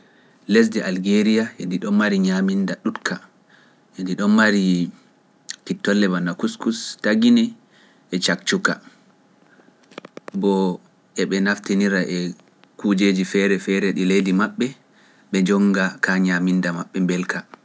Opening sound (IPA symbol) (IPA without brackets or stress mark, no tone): l